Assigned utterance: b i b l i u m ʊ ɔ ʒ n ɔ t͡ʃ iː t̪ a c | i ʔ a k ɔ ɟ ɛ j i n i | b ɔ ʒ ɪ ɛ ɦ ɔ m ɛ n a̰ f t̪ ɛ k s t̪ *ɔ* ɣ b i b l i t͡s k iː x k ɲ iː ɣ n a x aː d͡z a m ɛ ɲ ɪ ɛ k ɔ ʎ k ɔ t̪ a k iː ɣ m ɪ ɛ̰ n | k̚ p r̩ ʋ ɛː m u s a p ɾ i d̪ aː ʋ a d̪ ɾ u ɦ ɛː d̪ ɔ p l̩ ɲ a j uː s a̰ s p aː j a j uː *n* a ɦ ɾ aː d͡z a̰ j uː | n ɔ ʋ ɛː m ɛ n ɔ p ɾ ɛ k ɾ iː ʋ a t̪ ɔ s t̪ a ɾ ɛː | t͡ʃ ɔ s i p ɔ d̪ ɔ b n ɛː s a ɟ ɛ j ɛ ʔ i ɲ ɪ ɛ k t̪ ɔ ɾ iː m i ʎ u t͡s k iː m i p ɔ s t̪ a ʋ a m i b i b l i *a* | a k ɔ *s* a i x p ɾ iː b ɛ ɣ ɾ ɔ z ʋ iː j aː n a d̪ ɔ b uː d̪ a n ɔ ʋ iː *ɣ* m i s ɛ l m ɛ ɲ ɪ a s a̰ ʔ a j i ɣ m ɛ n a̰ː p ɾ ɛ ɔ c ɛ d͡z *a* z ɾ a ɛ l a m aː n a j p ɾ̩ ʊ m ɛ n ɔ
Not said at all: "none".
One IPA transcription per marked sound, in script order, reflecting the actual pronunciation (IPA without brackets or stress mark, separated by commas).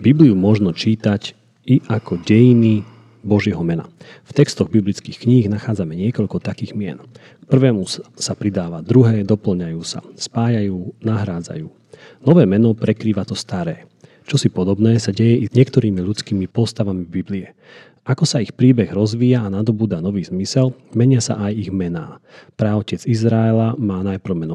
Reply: ɔ, n, ɛ, s, z, i